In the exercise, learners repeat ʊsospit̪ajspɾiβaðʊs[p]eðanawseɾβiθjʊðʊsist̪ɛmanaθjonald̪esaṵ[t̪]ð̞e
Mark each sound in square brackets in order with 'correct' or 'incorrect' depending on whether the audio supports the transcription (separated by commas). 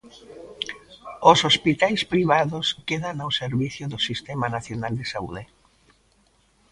incorrect, incorrect